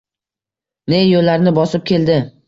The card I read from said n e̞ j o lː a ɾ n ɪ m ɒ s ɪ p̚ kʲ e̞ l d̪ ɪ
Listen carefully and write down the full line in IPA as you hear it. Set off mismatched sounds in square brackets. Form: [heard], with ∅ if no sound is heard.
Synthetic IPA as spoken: n e̞ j o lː a ɾ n ɪ [b] ɒ s ɪ p̚ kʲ e̞ l d̪ ɪ

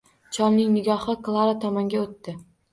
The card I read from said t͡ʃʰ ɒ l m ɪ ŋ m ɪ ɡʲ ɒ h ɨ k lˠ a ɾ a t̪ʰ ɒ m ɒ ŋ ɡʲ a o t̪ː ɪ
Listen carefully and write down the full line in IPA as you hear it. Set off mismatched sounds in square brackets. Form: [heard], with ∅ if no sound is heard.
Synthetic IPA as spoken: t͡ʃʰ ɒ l [n] ɪ ŋ [n] ɪ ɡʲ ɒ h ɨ k lˠ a ɾ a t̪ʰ ɒ m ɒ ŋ ɡʲ a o t̪ː ɪ

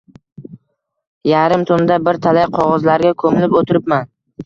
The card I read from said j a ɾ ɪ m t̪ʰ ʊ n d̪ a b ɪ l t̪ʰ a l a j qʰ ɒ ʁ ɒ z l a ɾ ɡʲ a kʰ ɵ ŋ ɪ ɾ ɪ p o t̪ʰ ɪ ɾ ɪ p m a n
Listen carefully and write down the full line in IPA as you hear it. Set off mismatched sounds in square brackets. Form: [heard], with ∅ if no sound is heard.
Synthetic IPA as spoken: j a ɾ ɪ m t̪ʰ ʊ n d̪ a b ɪ [ɾ] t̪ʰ a l a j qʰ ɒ ʁ ɒ z l a ɾ ɡʲ a kʰ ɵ [m] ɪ [l] ɪ p o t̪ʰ ɪ ɾ ɪ p m a n

